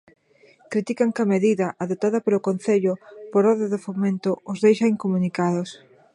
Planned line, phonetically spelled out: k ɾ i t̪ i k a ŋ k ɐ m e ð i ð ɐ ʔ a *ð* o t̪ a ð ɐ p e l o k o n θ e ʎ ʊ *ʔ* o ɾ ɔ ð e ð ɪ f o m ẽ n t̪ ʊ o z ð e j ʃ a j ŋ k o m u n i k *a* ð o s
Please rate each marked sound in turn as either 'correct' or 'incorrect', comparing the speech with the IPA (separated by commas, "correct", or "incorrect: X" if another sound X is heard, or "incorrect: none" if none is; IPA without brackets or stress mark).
correct, incorrect: p, correct